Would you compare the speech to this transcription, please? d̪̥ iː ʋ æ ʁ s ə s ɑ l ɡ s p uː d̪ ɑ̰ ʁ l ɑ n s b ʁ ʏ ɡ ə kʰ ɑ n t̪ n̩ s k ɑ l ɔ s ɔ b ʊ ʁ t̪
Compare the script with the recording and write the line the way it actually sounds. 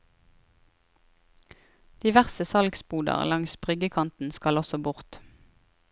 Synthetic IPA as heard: d̪̥ iː ʋ æ ʁ s ə s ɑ l ɡ s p uː d̪ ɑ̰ ʁ l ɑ ŋ s b ʁ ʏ ɡ ə kʰ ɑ n t̪ n̩ s k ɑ l ɔ s ɔ b ʊ ʁ t̪